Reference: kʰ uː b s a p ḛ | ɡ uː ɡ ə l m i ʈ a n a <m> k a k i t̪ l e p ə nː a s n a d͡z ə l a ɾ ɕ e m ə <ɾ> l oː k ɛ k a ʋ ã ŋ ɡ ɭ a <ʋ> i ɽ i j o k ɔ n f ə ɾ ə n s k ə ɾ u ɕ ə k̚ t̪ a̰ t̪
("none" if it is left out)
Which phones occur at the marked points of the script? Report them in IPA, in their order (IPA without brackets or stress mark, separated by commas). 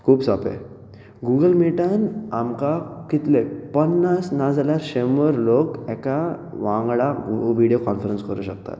m, ɾ, ʋ